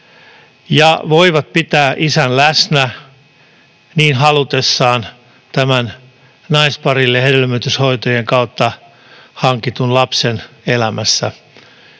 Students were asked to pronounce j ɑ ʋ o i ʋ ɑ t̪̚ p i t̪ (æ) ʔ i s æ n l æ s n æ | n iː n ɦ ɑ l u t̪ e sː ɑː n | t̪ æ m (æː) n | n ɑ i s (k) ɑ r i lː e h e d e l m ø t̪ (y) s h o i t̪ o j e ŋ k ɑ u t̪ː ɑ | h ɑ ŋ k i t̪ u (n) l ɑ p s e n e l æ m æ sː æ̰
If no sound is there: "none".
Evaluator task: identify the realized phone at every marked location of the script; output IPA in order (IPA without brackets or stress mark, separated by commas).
æː, æ, p, y, n